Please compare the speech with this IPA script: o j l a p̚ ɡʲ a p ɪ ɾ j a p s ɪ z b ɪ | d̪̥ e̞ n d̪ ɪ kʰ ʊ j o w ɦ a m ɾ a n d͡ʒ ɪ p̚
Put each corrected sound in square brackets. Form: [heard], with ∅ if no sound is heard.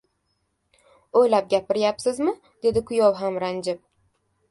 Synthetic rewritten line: o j l a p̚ ɡʲ a p ɪ ɾ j a p s ɪ z [m] ɪ | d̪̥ e̞ [∅] d̪ ɪ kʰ ʊ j [ɒ] w ɦ a m ɾ a n d͡ʒ ɪ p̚